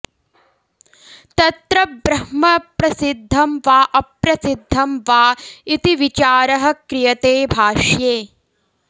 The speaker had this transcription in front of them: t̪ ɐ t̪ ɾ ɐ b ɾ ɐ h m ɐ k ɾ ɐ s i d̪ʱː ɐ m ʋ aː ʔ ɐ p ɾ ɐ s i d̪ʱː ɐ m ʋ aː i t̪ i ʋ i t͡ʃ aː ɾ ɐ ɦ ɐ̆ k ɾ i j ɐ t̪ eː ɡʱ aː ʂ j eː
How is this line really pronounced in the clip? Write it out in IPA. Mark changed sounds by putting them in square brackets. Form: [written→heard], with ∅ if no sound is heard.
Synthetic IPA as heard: t̪ ɐ t̪ ɾ ɐ b ɾ ɐ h m ɐ [k→p] ɾ ɐ s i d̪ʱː ɐ m ʋ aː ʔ ɐ p ɾ ɐ s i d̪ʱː ɐ m ʋ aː i t̪ i ʋ i t͡ʃ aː ɾ ɐ ɦ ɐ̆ k ɾ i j ɐ t̪ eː [ɡʱ→bʱ] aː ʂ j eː